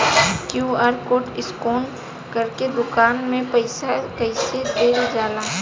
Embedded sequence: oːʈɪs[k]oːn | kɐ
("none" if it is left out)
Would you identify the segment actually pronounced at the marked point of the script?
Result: k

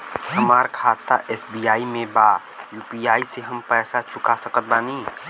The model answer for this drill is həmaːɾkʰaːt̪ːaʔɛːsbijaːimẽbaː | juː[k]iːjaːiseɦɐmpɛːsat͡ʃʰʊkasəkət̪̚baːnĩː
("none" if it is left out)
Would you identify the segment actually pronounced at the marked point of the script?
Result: p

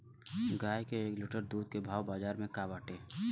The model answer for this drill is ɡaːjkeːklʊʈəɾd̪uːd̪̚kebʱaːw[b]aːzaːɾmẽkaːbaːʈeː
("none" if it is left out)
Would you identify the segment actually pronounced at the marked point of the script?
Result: b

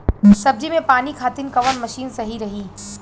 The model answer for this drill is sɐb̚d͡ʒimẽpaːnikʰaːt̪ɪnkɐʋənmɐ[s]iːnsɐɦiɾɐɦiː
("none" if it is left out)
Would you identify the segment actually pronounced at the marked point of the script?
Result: ʃ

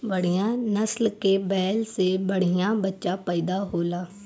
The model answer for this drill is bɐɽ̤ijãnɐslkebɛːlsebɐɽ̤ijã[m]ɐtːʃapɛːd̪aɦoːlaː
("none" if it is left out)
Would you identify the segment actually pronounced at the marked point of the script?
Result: b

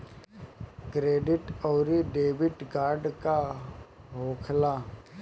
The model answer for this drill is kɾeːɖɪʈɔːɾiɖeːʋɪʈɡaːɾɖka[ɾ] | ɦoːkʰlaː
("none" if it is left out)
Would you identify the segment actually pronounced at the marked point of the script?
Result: none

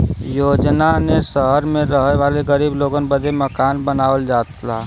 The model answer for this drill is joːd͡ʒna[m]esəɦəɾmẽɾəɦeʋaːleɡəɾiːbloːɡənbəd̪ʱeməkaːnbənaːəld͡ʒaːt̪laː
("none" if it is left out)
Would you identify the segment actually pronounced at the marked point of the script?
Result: n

